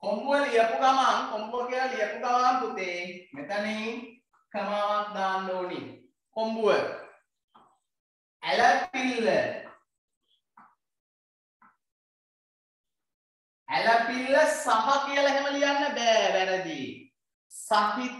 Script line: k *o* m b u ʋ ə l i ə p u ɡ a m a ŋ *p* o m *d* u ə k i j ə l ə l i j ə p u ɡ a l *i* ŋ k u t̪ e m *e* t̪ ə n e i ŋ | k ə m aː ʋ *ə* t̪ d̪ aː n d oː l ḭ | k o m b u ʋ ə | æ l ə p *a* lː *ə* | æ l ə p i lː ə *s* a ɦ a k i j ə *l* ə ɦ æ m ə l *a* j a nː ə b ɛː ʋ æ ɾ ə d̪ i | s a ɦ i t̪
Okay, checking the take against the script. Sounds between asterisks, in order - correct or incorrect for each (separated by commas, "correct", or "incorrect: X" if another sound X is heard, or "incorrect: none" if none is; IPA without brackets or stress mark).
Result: correct, incorrect: k, incorrect: b, incorrect: a, correct, incorrect: a, incorrect: i, correct, correct, correct, incorrect: i